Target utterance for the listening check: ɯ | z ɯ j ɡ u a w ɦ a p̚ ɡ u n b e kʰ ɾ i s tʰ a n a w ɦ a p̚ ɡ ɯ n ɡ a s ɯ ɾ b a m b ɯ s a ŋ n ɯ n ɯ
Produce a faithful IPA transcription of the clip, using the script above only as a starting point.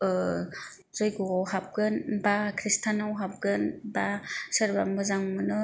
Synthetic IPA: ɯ | z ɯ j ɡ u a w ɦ a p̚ ɡ ɯ n b a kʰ ɾ i s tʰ a n a w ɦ a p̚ ɡ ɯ n b a s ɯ ɾ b a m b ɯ z a ŋ m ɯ n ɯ